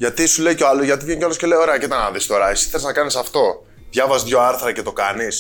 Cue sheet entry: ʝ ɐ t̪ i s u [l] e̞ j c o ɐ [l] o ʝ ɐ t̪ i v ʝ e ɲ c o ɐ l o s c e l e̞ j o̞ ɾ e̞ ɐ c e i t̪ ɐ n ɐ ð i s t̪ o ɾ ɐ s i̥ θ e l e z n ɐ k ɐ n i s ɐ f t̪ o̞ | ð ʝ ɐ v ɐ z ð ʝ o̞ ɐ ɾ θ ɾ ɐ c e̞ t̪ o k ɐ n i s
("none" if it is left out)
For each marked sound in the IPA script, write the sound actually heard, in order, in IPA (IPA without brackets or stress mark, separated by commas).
l, l